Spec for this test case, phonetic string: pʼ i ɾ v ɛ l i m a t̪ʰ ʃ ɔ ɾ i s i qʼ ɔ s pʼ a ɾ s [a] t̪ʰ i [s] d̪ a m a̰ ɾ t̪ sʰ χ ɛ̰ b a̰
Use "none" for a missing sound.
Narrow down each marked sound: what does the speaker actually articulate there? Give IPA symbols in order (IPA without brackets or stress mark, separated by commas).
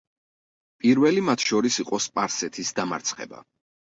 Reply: ɛ, s